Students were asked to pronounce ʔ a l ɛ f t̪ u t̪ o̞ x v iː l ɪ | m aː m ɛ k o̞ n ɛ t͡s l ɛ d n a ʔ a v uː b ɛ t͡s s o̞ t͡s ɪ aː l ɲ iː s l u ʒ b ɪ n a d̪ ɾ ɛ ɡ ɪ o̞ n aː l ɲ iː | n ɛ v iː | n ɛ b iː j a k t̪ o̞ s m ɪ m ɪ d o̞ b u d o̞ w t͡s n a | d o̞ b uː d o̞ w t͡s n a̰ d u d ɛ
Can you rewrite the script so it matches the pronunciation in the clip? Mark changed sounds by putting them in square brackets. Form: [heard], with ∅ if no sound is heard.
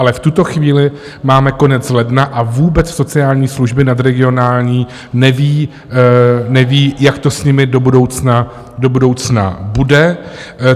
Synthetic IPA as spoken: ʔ a l ɛ f t̪ u t̪ o̞ x v iː l ɪ | m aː m ɛ k o̞ n ɛ t͡s l ɛ d n a ʔ a v uː b ɛ t͡s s o̞ t͡s ɪ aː l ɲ iː s l u ʒ b ɪ n a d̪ ɾ ɛ ɡ ɪ o̞ n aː l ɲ iː | n ɛ v iː | n ɛ [v] iː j a k t̪ o̞ s [ɲ] ɪ m ɪ d o̞ b u d o̞ w t͡s n a | d o̞ b [u] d o̞ w t͡s n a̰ [b] u d ɛ